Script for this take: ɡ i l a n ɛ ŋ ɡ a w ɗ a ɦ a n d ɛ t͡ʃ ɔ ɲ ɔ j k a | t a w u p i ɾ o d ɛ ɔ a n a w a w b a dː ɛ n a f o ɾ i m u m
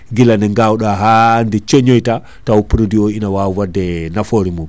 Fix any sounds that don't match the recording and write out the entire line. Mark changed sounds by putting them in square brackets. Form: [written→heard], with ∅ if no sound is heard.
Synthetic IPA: ɡ i l a n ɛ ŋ ɡ a w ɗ a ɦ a n d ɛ t͡ʃ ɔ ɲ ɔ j [k→t] a | t a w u p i ɾ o d [ɛ→i] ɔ [a→i] n a w a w [b→w] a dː ɛ n a f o ɾ i m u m